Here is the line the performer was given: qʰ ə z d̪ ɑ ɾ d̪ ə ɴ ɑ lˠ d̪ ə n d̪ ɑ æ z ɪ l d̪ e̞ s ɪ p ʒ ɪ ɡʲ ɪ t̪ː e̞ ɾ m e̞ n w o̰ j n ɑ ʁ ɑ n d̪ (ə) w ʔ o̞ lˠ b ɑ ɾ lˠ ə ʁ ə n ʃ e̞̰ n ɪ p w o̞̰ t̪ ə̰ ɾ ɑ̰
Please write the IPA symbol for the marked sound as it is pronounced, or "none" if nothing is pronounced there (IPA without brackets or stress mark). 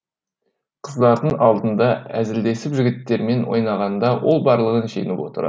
ɑ